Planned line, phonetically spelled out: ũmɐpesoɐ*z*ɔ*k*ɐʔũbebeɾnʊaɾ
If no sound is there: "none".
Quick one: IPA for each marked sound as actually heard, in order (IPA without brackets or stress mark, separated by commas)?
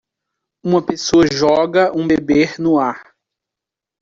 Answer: ʒ, ɡ